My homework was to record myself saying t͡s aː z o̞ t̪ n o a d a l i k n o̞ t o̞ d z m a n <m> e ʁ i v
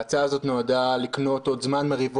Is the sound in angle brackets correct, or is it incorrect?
correct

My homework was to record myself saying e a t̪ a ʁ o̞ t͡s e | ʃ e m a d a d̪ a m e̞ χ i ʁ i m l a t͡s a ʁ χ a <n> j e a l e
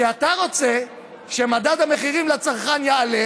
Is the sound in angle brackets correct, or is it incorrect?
correct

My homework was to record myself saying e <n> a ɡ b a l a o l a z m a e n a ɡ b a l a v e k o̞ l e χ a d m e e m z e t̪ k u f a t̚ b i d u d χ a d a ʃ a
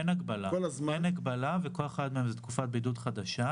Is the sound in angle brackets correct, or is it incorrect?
correct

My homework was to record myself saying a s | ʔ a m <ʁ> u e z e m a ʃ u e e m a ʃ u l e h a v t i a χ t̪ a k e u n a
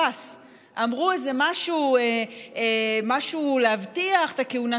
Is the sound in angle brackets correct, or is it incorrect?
correct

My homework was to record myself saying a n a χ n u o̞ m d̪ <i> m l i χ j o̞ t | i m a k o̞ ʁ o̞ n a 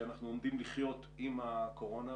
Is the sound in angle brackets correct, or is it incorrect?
correct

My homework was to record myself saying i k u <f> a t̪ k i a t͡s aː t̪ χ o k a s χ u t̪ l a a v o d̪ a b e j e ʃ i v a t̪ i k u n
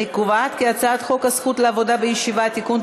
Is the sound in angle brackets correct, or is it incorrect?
incorrect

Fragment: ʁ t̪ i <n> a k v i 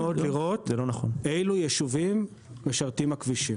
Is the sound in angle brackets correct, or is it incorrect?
incorrect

